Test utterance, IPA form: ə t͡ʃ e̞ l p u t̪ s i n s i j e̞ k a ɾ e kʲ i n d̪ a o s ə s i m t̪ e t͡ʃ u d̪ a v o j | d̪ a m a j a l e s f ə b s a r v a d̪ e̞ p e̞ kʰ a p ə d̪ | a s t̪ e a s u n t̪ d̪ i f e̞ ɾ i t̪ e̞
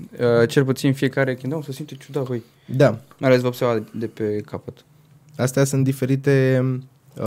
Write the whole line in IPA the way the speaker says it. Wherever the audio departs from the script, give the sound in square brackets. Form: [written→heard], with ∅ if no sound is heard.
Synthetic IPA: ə t͡ʃ e̞ l p u t̪ s i n [s→f] i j e̞ k a ɾ e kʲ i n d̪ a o s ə s i m t̪ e t͡ʃ u d̪ a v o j | d̪ a m a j a l e s [f→v] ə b s [a→e] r v a d̪ e̞ p e̞ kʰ a p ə [d̪→t̪] | a s t̪ e a s u n t̪ d̪ i f e̞ ɾ i t̪ e̞